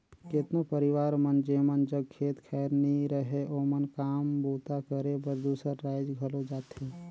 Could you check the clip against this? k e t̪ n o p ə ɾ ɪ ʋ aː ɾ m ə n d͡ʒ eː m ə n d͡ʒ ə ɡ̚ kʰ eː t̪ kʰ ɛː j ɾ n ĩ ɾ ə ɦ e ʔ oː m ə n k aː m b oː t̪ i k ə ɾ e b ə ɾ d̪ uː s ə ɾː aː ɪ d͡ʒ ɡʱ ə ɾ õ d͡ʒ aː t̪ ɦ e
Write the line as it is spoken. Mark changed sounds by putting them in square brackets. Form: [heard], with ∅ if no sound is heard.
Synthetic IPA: k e t̪ n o p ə ɾ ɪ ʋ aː ɾ m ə n d͡ʒ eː m ə n d͡ʒ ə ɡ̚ kʰ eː t̪ kʰ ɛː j ɾ n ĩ ɾ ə ɦ e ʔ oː m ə n k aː m b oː t̪ [a] k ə ɾ e b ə ɾ d̪ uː s ə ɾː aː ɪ d͡ʒ ɡʱ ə [l] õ d͡ʒ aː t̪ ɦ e